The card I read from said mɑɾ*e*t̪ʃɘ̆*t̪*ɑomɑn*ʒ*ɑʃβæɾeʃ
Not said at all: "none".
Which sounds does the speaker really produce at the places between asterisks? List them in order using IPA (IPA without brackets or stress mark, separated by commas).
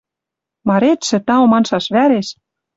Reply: e, t̪, ʃ